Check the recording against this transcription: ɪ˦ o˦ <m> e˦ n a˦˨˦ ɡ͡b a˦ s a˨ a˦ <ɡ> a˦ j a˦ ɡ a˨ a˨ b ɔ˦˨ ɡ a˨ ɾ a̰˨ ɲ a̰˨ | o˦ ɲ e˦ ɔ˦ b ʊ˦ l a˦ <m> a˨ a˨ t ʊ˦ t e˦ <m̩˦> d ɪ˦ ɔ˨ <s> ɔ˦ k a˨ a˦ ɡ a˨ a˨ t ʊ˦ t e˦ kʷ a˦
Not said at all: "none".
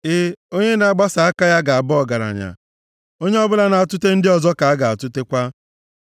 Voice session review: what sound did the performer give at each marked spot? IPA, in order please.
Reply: ɲ, k, n, n̩˦, z

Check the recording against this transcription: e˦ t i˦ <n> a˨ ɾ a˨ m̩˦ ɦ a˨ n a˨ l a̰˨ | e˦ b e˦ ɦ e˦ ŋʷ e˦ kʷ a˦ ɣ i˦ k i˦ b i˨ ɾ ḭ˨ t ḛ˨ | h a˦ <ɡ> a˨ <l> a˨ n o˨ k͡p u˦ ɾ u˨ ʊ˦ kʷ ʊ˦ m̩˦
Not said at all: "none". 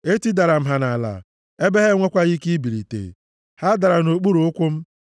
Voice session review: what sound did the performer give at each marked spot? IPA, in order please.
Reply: d, d, ɾ

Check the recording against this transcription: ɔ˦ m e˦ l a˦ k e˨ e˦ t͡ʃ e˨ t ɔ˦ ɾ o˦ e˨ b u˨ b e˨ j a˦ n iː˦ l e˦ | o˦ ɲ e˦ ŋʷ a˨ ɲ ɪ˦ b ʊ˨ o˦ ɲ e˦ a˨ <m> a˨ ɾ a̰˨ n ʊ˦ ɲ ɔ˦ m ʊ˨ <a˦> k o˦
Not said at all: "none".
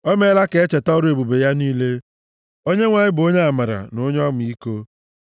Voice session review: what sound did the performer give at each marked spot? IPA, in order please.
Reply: m, i˦

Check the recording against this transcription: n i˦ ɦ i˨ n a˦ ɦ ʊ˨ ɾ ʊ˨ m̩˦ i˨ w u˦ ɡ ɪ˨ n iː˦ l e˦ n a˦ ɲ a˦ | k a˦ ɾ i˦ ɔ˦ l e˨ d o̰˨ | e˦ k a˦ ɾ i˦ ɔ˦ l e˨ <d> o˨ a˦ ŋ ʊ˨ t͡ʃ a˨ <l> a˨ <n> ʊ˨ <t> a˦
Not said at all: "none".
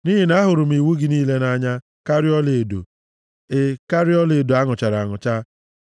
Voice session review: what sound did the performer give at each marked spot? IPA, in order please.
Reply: d, ɾ, ŋ, t͡ʃ

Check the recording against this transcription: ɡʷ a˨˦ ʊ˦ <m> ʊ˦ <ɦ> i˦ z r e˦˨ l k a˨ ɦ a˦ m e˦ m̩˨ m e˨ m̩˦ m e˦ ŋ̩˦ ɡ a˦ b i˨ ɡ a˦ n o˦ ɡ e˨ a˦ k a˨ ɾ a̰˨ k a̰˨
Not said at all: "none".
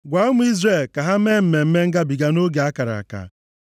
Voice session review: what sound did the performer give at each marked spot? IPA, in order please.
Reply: m, none

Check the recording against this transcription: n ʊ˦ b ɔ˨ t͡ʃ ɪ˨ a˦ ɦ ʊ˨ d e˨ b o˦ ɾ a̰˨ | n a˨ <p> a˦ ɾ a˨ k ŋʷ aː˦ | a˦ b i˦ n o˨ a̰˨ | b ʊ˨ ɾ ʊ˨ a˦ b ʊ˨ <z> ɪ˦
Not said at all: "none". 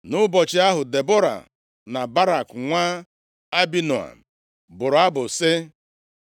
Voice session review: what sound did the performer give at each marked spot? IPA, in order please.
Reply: b, s

